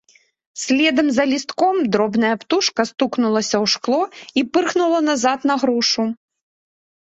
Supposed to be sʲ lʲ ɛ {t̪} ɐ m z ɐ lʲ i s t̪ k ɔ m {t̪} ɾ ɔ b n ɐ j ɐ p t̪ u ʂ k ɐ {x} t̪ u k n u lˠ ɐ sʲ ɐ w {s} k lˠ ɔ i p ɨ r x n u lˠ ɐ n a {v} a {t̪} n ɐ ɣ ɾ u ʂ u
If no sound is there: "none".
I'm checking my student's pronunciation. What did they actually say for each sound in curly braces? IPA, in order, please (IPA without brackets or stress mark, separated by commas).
d̪, d̪, s, ʂ, z, t̪